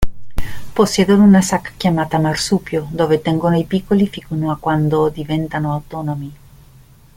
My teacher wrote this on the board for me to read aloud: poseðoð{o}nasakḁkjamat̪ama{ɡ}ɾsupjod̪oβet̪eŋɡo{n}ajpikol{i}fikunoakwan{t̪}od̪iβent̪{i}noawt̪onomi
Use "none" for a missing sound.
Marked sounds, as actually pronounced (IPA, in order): u, none, n, i, d̪, a

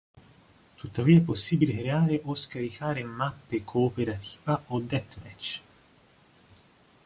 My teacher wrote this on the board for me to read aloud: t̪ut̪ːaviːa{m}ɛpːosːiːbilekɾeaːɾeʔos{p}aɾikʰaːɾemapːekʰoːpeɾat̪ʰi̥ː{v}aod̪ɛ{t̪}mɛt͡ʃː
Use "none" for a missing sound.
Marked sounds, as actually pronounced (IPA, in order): none, k, v, t̪

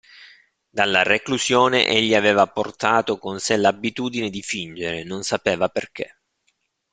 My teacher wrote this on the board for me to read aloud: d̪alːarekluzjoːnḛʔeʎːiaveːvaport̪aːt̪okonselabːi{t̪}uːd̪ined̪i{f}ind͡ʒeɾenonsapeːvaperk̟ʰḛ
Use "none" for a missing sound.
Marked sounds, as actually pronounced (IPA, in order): t̪, f

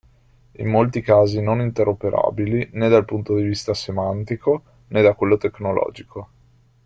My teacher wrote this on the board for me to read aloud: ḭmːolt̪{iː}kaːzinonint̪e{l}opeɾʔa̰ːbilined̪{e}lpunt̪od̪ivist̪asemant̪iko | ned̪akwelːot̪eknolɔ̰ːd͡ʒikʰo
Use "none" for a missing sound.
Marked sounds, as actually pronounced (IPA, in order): i, ɾ, a

